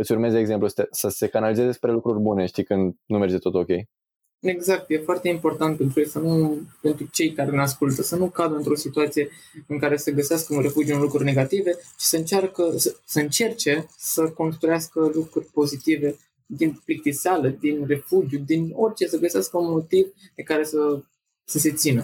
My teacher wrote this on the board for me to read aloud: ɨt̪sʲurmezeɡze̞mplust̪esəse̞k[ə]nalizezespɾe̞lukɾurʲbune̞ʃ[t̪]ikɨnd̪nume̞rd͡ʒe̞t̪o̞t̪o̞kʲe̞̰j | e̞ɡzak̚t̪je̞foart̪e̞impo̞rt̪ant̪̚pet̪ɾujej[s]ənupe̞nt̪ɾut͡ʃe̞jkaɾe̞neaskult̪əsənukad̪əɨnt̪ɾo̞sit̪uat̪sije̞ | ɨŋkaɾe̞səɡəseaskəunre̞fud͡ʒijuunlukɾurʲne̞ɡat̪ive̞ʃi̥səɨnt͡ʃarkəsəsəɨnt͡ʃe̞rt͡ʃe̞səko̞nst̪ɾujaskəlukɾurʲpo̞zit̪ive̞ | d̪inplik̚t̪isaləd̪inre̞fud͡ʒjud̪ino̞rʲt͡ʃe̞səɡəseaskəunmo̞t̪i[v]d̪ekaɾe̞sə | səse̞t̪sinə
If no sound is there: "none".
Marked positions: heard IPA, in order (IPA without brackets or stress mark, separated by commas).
a, t̪, s, v